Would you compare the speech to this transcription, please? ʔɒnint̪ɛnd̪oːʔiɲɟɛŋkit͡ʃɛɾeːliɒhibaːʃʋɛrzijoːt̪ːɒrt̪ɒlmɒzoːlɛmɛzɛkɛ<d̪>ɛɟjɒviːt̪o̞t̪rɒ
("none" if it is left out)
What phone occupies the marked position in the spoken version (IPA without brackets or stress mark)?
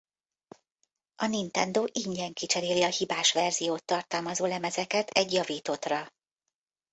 t̪